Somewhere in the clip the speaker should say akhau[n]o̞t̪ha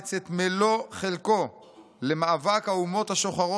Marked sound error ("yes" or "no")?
yes